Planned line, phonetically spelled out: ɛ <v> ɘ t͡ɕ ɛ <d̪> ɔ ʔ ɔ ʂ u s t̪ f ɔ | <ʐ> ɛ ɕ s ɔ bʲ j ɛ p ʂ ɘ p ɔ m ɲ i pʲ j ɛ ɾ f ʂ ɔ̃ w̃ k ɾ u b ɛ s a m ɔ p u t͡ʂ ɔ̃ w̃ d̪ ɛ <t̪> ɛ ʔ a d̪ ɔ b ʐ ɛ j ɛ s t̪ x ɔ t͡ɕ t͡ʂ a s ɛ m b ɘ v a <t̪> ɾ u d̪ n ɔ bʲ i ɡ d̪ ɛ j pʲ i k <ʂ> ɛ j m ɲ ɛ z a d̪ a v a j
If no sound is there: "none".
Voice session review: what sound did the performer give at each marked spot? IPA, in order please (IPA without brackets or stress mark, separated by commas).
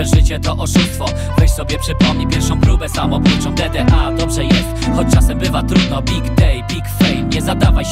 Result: ʐ, t̪, v, d̪, t̪, f